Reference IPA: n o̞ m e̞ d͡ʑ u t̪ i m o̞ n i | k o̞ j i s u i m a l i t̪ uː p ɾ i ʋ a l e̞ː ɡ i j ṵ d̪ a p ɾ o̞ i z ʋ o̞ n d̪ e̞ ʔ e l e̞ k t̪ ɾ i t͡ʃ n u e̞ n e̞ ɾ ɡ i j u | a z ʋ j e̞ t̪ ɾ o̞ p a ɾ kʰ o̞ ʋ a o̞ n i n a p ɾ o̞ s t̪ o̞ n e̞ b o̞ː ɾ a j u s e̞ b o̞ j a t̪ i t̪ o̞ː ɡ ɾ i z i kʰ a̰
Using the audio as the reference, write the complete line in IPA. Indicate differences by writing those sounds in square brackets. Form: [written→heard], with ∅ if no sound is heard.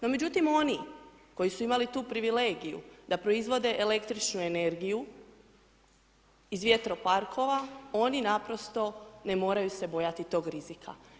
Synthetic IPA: n o̞ m e̞ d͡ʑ u t̪ i m o̞ n i | k o̞ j i s u i m a l i t̪ uː p ɾ i ʋ [a→i] l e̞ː ɡ i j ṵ d̪ a p ɾ o̞ i z ʋ o̞ [n→∅] d̪ e̞ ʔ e l e̞ k t̪ ɾ i t͡ʃ n u e̞ n e̞ ɾ ɡ i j u | [a→i] z ʋ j e̞ t̪ ɾ o̞ p a ɾ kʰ o̞ ʋ a o̞ n i n a p ɾ o̞ s t̪ o̞ n e̞ [b→m] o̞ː ɾ a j u s e̞ b o̞ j a t̪ i t̪ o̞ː ɡ ɾ i z i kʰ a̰

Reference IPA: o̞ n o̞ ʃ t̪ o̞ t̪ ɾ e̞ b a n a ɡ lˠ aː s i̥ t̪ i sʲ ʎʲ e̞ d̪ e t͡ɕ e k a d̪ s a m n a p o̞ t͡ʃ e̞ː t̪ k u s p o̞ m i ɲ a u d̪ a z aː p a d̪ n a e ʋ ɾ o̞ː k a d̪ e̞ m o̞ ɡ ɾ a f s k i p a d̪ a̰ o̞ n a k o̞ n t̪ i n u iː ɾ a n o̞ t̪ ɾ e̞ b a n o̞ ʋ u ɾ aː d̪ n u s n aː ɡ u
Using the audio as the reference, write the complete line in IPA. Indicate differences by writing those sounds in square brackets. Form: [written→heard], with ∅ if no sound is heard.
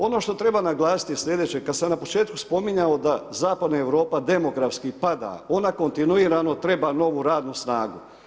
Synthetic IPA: o̞ n o̞ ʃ t̪ o̞ t̪ ɾ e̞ b a n a ɡ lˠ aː s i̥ t̪ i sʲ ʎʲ e̞ d̪ e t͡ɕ e k a d̪ s a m n a p o̞ t͡ʃ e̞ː t̪ k u s p o̞ m i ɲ a [u→o] d̪ a z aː p a d̪ n a e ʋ ɾ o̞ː [k→p] a d̪ e̞ m o̞ ɡ ɾ a f s k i p a d̪ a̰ o̞ n a k o̞ n t̪ i n u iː ɾ a n o̞ t̪ ɾ e̞ b a n o̞ ʋ u ɾ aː d̪ n u s n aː ɡ u

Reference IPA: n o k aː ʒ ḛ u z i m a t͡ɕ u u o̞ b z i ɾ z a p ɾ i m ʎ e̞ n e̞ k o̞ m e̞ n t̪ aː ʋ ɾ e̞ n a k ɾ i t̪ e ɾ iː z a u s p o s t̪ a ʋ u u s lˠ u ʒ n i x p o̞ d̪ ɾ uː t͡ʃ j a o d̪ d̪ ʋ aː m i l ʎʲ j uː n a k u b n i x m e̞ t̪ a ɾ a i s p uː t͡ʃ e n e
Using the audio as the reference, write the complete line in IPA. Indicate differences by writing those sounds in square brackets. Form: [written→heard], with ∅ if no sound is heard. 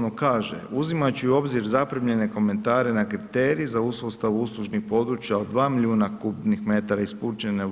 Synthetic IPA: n o k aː ʒ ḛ u z i m a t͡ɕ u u o̞ b z i ɾ z a p ɾ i m ʎ e̞ n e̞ k o̞ m e̞ n t̪ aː [ʋ→∅] ɾ e̞ n a k ɾ i t̪ e ɾ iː z a u s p o s t̪ a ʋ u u s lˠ u ʒ n i x p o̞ d̪ ɾ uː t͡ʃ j a o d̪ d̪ ʋ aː m i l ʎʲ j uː n a k u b n i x m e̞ t̪ a ɾ a i s p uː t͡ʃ e n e

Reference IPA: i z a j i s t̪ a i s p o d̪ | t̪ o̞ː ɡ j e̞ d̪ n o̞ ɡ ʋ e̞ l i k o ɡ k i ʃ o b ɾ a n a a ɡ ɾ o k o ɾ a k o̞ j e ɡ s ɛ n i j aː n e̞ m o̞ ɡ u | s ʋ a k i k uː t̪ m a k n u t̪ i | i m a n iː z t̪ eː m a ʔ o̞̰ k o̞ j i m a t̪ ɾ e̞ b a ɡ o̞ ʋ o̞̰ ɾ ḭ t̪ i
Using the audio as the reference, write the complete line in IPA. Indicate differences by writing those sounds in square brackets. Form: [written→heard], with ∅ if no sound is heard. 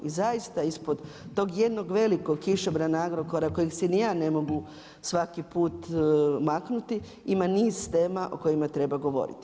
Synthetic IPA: i z a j i s t̪ a i s p o d̪ | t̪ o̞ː ɡ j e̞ d̪ n o̞ ɡ ʋ e̞ l i k o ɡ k i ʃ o b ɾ a n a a ɡ ɾ o k o ɾ a k o̞ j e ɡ s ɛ n i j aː n e̞ m o̞ ɡ u | s ʋ a k i [k→p] uː t̪ m a k n u t̪ i | i m a n iː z t̪ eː m a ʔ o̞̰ k o̞ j i m a t̪ ɾ e̞ b a ɡ o̞ ʋ o̞̰ ɾ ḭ t̪ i

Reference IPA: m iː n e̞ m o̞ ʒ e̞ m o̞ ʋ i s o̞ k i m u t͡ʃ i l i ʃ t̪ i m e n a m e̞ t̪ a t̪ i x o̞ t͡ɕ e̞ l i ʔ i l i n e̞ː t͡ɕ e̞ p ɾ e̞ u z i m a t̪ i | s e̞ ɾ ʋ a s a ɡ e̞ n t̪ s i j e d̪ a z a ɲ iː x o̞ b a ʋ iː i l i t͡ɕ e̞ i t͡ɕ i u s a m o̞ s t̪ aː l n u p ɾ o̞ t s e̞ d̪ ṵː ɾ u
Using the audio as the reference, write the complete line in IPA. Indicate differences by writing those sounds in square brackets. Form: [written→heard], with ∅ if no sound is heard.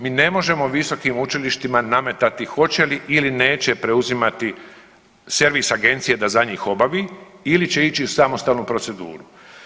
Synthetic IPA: m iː n e̞ m o̞ ʒ e̞ m o̞ ʋ i s o̞ k i m u t͡ʃ i l i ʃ t̪ i m [e→a] n a m e̞ t̪ a t̪ i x o̞ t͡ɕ e̞ l i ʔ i l i n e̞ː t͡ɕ e̞ p ɾ e̞ u z i m a t̪ i | s e̞ ɾ ʋ [a→i] s a ɡ e̞ n t̪ s i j e d̪ a z a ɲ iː x o̞ b a ʋ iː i l i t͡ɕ e̞ i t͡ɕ i u s a m o̞ s t̪ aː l n u p ɾ o̞ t s e̞ d̪ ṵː ɾ u

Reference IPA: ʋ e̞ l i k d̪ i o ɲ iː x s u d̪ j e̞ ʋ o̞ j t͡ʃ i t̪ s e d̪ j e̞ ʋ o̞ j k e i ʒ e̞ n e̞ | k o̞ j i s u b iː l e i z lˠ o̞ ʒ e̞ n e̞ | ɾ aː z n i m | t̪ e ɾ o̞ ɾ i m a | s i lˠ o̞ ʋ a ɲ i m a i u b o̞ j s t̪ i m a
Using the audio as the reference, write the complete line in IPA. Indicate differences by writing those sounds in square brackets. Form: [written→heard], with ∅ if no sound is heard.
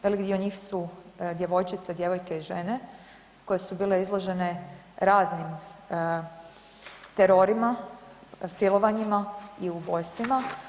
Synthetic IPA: ʋ e̞ l i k d̪ i o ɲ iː x s u d̪ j e̞ ʋ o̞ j t͡ʃ i t̪ s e d̪ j e̞ ʋ o̞ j k e i ʒ e̞ n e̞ | k o̞ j [i→e] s u b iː l e i z lˠ o̞ ʒ e̞ n e̞ | ɾ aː z n i m | t̪ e ɾ o̞ ɾ i m a | s i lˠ o̞ ʋ a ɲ i m a i u b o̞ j s t̪ i m a

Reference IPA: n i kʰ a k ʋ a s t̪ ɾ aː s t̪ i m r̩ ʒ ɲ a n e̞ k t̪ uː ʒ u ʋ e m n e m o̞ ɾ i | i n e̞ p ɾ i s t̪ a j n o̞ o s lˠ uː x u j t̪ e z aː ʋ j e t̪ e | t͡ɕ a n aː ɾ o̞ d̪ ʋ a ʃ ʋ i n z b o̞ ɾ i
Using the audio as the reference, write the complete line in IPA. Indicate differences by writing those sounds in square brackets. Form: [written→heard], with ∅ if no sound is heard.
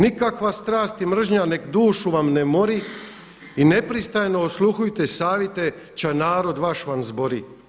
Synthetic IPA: n i [kʰ→k] a k ʋ a s t̪ ɾ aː s t̪ i m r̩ ʒ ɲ a n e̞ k [t̪→d̪] uː [ʒ→ʃ] u ʋ [e→a] m n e m o̞ ɾ i | i n e̞ p ɾ i s t̪ a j n o̞ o s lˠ [uː→u] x u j t̪ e [z→s] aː ʋ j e t̪ e | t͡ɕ a n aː ɾ o̞ d̪ ʋ a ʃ ʋ [i→a] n z b o̞ ɾ i

